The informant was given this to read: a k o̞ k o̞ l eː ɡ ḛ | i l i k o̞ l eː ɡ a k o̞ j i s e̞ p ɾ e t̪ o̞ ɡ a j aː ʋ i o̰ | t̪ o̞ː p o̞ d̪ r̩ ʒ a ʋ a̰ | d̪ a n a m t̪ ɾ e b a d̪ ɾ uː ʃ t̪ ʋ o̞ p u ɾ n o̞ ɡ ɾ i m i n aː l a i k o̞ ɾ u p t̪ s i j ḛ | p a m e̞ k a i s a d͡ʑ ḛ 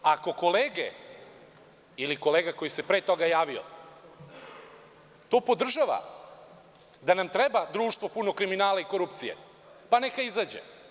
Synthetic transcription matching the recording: a k o̞ k o̞ l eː ɡ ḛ | i l i k o̞ l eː ɡ a k o̞ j i s e̞ p ɾ e t̪ o̞ ɡ a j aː ʋ i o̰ | t̪ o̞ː p o̞ d̪ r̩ ʒ a ʋ a̰ | d̪ a n a m t̪ ɾ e b a d̪ ɾ uː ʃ t̪ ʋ o̞ p u n o̞ k ɾ i m i n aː l a i k o̞ ɾ u p t̪ s i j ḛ | p a n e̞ k a i z a d͡ʑ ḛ